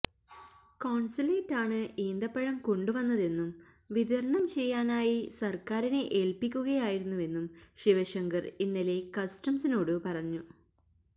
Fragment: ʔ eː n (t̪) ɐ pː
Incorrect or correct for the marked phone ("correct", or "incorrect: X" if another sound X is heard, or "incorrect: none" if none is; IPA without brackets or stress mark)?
incorrect: d̪